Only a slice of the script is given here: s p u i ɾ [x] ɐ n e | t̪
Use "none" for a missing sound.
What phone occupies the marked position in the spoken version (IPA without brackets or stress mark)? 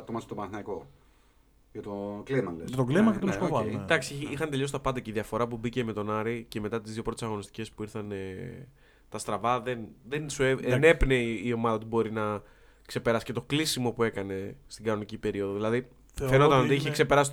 θ